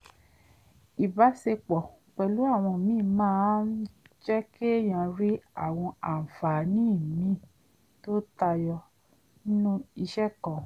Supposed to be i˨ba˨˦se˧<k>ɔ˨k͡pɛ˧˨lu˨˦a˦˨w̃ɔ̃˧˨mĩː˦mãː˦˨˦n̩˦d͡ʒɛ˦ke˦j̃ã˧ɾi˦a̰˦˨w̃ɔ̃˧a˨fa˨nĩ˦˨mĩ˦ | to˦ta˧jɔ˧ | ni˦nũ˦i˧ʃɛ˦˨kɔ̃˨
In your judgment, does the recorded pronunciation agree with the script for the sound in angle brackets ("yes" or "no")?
no